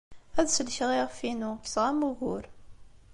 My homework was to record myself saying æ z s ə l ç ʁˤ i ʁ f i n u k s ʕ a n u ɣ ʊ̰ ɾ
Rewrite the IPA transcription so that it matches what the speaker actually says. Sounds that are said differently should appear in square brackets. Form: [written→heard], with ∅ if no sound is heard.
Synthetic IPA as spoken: æ [z→ð] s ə l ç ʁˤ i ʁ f i n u k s [ʕ→ʁ] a [n→m] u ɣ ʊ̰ ɾ